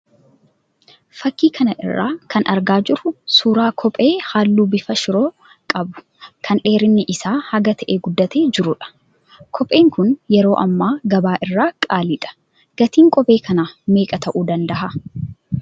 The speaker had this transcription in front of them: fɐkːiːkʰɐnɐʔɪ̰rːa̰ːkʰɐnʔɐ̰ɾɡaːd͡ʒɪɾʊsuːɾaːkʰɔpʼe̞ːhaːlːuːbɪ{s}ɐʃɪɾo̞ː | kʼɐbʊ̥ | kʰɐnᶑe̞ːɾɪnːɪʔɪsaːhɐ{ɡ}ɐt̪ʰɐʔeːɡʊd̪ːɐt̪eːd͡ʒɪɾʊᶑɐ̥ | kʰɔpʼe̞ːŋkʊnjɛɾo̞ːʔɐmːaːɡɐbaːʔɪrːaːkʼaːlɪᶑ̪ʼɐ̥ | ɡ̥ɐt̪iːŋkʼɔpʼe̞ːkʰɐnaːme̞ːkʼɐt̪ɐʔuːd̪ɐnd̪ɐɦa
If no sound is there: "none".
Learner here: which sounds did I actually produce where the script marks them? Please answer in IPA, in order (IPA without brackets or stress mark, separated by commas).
f, ɡ